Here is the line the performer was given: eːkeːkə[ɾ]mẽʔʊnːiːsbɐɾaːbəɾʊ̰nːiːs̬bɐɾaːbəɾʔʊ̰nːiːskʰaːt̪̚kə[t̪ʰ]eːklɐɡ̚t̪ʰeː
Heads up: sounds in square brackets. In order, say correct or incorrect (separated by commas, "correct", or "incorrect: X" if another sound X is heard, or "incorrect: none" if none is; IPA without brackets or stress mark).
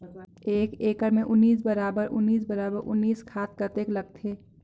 correct, incorrect: t̪